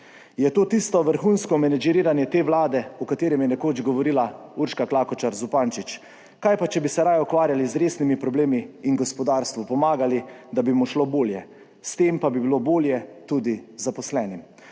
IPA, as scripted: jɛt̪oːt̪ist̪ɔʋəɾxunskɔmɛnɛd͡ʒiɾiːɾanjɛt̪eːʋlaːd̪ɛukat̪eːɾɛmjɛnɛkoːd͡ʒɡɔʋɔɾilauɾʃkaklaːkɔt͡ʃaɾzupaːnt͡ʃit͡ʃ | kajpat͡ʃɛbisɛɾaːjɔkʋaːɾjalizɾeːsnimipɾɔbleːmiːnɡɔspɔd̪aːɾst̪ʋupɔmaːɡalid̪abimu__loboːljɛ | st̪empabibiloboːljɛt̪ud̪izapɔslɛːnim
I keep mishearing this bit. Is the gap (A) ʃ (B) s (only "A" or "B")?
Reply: A